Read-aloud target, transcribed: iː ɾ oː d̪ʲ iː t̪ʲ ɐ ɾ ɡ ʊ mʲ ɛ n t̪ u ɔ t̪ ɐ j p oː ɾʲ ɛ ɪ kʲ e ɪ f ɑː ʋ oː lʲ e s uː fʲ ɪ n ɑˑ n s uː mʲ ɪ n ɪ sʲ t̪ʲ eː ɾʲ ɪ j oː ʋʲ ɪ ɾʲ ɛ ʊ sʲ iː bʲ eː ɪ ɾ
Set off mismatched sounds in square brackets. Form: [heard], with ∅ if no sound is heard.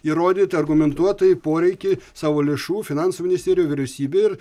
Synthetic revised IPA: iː ɾ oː d̪ʲ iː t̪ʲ ɐ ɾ ɡ ʊ mʲ ɛ n t̪ u ɔ t̪ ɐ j p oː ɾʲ ɛ ɪ kʲ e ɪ [s] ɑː ʋ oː lʲ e [ʃ] uː fʲ ɪ n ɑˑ n s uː mʲ ɪ n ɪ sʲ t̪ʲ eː ɾʲ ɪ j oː ʋʲ ɪ ɾʲ ɛ ʊ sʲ iː bʲ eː ɪ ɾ